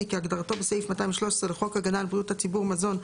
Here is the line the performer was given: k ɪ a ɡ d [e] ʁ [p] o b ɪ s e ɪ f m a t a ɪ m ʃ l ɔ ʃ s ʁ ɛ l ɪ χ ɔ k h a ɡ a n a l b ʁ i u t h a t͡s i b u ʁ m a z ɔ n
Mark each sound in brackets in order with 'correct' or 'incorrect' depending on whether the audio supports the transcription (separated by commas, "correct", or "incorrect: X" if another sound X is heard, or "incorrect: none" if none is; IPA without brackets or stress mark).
incorrect: a, incorrect: t